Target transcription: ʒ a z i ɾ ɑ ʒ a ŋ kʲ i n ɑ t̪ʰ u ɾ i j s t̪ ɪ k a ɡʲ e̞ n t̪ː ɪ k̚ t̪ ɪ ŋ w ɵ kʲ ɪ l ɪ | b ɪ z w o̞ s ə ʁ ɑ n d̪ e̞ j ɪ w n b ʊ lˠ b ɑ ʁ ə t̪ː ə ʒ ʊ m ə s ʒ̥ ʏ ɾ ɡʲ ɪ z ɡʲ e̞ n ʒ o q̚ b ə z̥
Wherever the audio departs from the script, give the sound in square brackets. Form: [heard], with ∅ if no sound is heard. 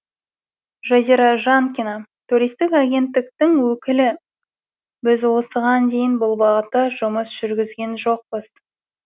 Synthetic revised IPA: ʒ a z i ɾ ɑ ʒ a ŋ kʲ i n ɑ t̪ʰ u ɾ i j s t̪ ɪ k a ɡʲ e̞ n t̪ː ɪ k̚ t̪ ɪ ŋ w ɵ kʲ ɪ l ɪ | b ɪ z w o̞ s ə ʁ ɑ n d̪ e̞ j ɪ [∅] n b ʊ lˠ b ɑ ʁ ə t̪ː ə ʒ ʊ m ə s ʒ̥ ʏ ɾ ɡʲ ɪ z ɡʲ e̞ n ʒ o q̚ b ə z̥